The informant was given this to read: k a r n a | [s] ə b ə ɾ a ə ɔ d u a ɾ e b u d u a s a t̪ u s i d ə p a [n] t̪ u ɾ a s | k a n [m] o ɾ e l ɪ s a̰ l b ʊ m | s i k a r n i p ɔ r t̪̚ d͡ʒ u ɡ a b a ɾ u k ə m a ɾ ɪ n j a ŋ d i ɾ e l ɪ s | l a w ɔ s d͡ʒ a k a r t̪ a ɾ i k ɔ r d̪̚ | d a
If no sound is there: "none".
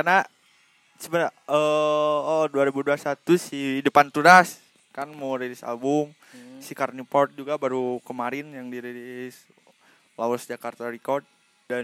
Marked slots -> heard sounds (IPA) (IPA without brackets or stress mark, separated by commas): s, n, m